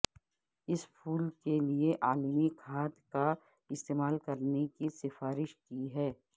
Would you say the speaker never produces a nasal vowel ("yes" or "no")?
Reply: yes